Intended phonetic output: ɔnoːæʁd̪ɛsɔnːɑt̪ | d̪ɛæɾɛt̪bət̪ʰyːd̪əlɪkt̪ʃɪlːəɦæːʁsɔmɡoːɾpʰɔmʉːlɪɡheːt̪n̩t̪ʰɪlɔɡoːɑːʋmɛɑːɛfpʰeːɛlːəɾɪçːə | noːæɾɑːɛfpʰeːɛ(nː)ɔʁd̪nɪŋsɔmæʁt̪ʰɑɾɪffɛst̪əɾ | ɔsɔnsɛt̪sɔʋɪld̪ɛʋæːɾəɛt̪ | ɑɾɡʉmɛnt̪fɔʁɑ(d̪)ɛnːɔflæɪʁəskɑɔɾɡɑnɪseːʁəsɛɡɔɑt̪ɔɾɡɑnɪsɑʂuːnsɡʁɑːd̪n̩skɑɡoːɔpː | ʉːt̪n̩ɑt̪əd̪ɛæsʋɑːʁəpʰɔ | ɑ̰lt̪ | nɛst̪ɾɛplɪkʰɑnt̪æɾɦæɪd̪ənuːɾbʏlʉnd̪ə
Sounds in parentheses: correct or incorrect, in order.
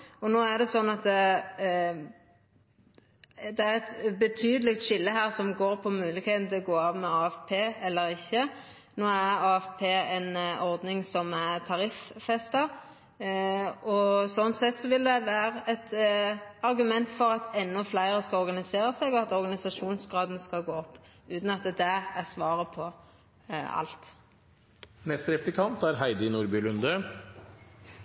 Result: incorrect, incorrect

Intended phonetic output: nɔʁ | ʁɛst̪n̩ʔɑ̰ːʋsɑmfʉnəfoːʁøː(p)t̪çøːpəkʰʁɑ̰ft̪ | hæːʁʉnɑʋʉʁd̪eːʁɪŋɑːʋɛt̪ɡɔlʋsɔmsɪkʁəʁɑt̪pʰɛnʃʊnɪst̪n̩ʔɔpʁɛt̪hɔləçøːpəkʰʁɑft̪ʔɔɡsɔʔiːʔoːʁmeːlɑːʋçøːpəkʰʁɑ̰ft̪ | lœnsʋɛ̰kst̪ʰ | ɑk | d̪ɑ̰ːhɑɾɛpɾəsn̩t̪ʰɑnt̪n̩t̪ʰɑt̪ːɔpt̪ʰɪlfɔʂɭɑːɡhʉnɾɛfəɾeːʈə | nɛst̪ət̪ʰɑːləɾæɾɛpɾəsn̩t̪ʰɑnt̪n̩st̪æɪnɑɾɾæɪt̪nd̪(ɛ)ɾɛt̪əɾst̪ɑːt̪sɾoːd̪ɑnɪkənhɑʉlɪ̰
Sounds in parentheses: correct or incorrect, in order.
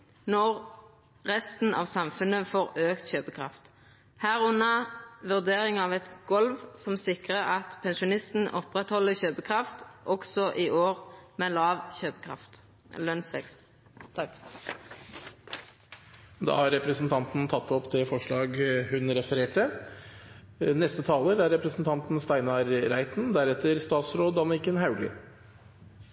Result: incorrect, incorrect

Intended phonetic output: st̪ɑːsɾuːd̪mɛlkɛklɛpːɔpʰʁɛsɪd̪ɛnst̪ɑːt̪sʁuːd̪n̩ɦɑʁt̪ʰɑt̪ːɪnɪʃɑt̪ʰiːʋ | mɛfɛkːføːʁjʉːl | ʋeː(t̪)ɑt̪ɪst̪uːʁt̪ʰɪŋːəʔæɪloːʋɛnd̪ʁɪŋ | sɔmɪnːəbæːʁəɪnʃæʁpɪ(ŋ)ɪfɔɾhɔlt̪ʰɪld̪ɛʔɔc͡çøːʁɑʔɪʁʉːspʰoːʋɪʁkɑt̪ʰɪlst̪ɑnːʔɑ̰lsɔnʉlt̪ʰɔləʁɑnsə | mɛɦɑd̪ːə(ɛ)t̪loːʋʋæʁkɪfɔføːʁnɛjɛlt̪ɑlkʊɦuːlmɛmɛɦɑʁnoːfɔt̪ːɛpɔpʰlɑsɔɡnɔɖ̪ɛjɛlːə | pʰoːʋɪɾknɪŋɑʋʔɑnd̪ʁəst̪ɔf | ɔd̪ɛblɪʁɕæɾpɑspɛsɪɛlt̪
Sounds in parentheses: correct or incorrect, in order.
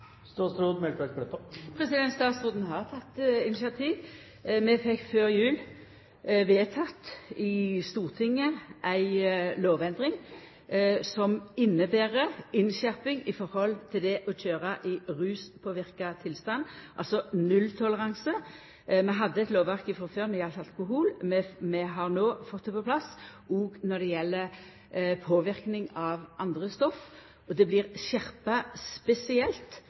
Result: incorrect, correct, correct

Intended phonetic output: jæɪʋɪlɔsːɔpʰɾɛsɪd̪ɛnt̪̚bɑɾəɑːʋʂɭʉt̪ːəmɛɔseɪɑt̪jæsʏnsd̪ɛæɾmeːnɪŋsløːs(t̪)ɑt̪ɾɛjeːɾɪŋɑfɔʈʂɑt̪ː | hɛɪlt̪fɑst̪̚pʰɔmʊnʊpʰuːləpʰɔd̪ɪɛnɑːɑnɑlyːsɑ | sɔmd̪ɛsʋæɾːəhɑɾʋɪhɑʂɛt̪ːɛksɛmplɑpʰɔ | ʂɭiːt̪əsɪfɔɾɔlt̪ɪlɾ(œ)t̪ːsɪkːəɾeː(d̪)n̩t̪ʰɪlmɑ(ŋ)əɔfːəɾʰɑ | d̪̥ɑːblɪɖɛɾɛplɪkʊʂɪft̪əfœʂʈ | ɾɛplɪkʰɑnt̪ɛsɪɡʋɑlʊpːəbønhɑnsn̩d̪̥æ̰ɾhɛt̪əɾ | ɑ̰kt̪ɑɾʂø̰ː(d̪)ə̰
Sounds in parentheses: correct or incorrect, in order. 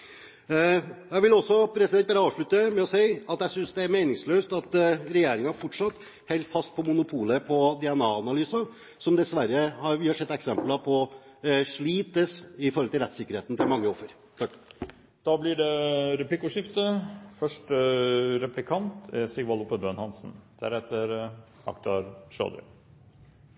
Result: correct, incorrect, incorrect, incorrect, correct

